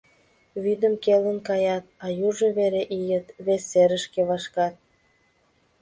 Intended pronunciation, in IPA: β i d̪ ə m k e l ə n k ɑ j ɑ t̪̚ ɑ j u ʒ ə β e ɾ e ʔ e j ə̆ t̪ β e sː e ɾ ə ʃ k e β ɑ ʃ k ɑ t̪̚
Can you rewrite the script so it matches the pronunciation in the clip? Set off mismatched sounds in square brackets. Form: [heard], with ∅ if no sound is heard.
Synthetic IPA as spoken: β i d̪ ə m k e l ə n k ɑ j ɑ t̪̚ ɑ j u ʒ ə β e ɾ e ʔ [i] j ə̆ t̪ β e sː e ɾ ə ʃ k e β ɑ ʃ k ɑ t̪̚